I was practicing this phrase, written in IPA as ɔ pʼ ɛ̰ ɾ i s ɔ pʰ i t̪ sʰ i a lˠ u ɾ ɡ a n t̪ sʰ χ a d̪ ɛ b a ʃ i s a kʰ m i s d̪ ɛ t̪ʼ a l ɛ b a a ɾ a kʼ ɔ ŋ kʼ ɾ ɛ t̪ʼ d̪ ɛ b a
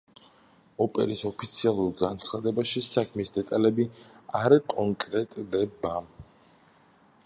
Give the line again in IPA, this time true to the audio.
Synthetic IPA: ɔ pʼ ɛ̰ ɾ i s ɔ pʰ i t̪ sʰ i a lˠ u ɾ ɡ a n t̪ sʰ χ a d̪ ɛ b a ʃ i s a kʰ m i s d̪ ɛ t̪ʼ a l ɛ b i a ɾ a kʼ ɔ ŋ kʼ ɾ ɛ t̪ʼ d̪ ɛ b a